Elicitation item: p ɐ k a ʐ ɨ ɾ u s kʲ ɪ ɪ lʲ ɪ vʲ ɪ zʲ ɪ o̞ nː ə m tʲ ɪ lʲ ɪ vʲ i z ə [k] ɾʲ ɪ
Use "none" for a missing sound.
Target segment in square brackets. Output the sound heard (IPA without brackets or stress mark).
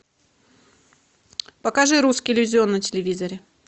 none